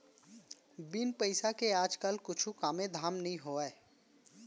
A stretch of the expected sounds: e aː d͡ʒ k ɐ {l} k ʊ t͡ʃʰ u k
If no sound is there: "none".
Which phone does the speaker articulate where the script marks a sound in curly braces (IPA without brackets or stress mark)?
l